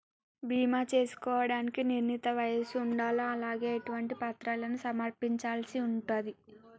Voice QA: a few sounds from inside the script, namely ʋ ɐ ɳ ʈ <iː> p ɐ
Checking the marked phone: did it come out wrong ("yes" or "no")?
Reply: yes